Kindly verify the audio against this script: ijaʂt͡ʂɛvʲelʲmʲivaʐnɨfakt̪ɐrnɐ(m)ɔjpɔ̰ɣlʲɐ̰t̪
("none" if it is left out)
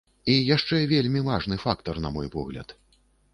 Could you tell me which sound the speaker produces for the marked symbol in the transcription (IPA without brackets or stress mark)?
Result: m